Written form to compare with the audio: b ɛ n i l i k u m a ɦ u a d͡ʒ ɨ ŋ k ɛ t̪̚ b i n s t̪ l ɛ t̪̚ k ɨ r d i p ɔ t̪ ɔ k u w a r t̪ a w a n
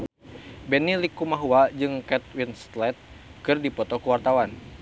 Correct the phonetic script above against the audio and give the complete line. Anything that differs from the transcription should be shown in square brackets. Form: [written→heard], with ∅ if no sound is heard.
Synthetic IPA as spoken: b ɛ n i l i k u m a ɦ u a d͡ʒ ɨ ŋ k ɛ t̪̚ [b→w] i n s t̪ l ɛ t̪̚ k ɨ r d i p ɔ t̪ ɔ k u w a r t̪ a w a n